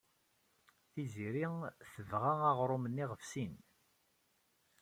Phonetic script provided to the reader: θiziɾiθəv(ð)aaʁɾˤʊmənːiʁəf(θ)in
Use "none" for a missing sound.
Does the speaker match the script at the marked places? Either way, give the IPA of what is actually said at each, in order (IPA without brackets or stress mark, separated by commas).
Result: ʁ, s